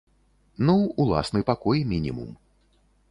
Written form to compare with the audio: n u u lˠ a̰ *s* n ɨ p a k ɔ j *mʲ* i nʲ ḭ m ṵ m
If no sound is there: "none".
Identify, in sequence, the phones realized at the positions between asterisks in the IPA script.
s, mʲ

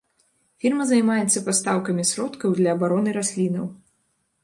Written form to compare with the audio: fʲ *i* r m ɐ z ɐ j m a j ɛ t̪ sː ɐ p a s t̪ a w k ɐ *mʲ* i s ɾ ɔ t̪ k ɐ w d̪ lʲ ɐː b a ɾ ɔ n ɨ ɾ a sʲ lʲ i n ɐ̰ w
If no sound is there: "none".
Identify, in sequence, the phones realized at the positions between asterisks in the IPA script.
i, mʲ

